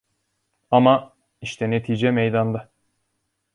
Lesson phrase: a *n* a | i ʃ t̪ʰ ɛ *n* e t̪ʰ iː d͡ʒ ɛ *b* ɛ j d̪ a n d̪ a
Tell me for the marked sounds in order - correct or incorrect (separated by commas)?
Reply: incorrect, correct, incorrect